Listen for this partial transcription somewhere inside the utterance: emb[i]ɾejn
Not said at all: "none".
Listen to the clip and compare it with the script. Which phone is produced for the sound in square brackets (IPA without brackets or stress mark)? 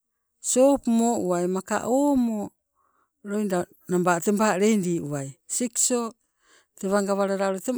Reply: a